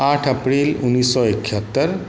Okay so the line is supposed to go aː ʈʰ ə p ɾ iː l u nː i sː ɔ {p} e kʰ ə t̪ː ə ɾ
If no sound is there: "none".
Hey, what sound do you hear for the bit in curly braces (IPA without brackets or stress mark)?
none